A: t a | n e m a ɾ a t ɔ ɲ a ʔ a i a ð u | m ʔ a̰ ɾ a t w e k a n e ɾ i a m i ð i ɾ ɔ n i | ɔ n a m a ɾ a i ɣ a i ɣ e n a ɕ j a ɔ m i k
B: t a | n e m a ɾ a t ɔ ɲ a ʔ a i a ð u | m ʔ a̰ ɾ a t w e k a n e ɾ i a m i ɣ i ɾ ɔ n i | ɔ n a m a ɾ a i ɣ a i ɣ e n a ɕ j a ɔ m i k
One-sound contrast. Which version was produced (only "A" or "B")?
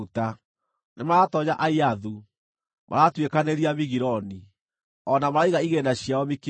B